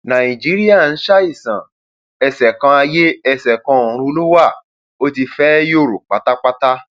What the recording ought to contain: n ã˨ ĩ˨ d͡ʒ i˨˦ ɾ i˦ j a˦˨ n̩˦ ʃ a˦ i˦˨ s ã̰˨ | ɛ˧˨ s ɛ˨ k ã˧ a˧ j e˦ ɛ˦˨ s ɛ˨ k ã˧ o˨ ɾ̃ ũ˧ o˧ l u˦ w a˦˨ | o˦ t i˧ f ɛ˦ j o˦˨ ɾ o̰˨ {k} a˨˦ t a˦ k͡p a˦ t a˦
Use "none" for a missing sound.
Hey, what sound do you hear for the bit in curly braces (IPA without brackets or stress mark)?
k͡p